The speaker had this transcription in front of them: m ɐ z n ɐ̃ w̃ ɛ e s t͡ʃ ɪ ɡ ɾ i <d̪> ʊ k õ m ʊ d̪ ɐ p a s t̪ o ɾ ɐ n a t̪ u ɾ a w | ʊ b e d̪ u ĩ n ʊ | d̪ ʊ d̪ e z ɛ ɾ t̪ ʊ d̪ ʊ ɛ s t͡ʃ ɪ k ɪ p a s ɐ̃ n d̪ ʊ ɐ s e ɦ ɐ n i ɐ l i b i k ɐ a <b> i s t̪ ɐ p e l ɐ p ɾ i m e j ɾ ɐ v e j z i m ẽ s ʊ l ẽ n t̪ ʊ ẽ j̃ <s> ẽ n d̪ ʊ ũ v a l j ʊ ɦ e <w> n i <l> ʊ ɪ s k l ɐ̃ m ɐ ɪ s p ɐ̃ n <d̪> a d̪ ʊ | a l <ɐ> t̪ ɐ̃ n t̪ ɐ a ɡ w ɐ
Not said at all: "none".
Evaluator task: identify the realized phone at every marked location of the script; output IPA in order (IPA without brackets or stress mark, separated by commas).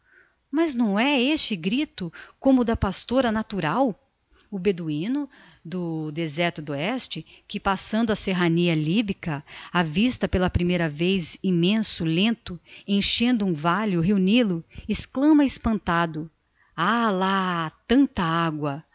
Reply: t̪, v, ʃ, u, l, t̪, a